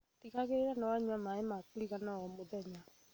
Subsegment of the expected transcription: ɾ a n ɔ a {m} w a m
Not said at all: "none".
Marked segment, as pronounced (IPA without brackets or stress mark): ɲ